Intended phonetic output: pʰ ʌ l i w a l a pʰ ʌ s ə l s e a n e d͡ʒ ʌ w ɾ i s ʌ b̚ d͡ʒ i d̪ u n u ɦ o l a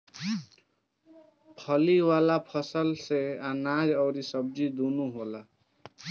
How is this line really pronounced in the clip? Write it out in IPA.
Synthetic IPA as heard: pʰ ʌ l i w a l a pʰ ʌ s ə l s e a n a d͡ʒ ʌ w ɾ i s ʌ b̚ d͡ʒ i d̪ u n u ɦ o l a